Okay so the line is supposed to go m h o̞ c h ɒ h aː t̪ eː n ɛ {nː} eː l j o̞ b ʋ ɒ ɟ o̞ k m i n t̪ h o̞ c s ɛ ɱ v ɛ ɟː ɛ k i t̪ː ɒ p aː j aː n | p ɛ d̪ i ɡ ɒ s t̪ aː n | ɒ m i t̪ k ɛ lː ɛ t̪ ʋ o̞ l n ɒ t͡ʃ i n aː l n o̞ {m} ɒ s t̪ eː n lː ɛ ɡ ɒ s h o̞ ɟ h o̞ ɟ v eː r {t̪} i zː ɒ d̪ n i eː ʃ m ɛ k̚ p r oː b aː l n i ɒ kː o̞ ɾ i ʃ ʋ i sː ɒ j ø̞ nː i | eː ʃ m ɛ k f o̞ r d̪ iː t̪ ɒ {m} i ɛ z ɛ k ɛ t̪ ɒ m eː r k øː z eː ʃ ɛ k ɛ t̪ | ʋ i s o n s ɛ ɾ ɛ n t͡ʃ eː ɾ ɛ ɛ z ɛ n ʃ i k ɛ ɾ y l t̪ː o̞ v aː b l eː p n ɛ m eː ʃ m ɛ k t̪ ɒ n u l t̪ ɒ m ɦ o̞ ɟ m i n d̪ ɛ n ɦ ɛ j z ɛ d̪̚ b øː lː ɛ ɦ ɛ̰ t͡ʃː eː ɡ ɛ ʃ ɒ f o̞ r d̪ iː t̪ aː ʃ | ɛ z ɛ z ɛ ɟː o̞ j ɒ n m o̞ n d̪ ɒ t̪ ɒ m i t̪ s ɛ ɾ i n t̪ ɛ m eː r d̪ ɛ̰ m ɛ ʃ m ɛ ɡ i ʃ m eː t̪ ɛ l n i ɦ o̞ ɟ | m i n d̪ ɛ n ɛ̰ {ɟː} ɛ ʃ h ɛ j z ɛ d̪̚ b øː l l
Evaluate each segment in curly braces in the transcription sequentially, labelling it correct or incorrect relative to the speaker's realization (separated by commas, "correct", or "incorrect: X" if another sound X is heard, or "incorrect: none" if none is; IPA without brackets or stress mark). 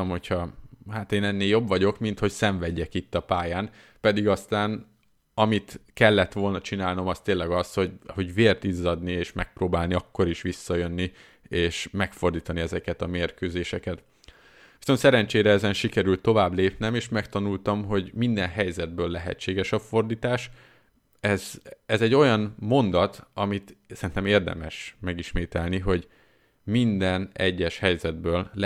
correct, correct, correct, incorrect: n, correct